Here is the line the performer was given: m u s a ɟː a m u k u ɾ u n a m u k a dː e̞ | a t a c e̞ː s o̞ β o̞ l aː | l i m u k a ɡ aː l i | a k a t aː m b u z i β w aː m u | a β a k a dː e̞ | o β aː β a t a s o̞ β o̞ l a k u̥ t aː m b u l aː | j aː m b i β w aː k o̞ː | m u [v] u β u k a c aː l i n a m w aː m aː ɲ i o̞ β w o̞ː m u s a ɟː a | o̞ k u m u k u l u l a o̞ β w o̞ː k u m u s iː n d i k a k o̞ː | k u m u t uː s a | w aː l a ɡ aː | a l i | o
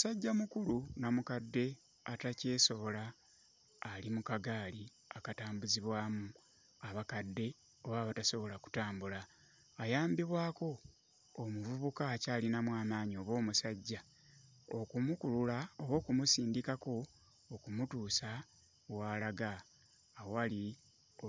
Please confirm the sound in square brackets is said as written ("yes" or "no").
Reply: yes